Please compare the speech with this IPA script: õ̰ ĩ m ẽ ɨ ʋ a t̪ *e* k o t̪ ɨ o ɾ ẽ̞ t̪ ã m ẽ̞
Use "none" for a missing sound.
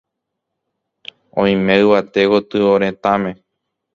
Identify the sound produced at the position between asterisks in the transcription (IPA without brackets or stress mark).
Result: e